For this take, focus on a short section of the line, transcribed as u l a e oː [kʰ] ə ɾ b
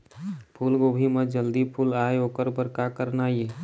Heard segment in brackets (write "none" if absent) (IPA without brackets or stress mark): k